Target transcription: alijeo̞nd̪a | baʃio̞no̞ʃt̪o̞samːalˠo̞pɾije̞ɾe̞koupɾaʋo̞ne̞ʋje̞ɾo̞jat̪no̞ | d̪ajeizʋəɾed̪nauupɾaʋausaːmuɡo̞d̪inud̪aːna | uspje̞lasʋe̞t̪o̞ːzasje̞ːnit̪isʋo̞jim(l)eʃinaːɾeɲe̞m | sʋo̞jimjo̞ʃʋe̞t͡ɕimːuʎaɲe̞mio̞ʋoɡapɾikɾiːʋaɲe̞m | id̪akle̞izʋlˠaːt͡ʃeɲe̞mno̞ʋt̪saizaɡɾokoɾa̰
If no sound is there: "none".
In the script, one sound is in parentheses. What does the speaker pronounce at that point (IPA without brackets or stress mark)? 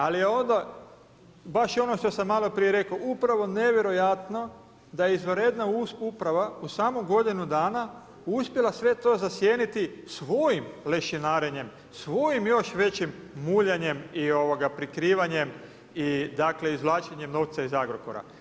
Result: l